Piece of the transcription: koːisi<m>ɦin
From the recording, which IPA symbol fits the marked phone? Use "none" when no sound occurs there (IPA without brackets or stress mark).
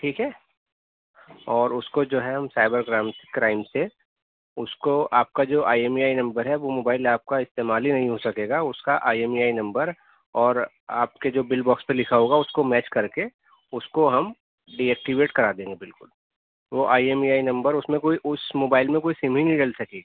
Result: m